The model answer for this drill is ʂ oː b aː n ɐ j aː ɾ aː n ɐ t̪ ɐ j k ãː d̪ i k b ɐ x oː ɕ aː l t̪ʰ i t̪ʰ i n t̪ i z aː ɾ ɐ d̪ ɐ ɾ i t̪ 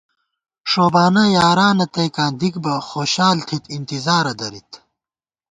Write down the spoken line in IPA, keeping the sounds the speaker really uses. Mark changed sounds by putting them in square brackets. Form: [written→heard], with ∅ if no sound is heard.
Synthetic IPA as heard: ʂ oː b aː n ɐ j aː ɾ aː n ɐ t̪ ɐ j k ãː d̪ i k b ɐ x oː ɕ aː l t̪ʰ i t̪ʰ i n t̪ i z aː ɾ ɐ d̪ ɐ ɾ i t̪